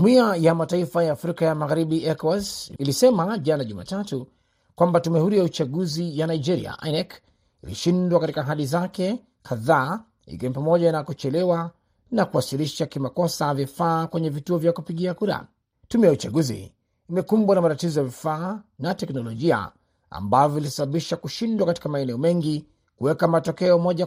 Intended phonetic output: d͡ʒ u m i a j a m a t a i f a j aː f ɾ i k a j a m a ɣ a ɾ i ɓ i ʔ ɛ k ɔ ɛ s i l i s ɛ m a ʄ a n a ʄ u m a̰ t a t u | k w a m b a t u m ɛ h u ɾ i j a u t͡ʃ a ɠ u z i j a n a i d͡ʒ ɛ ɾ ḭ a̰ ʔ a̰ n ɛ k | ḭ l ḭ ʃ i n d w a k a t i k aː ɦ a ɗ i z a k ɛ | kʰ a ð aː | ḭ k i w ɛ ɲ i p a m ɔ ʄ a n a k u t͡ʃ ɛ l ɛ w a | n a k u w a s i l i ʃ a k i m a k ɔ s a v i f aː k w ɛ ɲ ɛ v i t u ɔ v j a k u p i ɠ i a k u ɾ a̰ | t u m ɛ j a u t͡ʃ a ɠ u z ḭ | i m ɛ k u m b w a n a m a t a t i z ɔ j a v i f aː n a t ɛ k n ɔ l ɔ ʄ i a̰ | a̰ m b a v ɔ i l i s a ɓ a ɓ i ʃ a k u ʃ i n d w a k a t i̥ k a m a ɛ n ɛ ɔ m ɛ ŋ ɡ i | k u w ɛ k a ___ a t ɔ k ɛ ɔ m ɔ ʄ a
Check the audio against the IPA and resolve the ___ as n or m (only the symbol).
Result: m